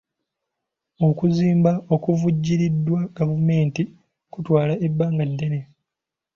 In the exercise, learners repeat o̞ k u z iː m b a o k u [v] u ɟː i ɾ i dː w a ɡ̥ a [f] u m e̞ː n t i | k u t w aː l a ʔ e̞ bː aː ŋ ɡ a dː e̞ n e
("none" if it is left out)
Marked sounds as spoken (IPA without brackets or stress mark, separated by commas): v, v